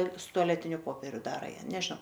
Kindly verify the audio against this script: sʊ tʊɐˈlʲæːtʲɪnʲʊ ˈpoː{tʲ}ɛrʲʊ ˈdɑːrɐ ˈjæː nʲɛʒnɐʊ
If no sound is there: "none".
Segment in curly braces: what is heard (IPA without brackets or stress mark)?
pʲ